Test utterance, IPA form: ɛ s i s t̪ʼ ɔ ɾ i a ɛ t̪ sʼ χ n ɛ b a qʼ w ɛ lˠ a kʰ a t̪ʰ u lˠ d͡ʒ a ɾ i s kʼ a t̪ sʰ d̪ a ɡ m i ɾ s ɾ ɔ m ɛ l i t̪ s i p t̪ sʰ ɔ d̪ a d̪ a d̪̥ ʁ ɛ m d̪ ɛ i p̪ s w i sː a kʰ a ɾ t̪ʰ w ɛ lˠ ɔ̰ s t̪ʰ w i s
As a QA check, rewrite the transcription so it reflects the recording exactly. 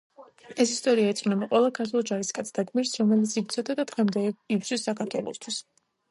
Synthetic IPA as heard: ɛ s i s t̪ʼ ɔ ɾ i a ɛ t̪ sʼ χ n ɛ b a qʼ w ɛ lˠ a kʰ a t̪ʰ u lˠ d͡ʒ a ɾ i s kʼ a t̪ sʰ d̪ a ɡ m i ɾ s ɾ ɔ m ɛ l i t̪ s i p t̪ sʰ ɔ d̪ a d̪ a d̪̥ ʁ ɛ m d̪ ɛ i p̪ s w i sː a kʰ a ɾ t̪ʰ w ɛ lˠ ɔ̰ s t̪ʰ w i s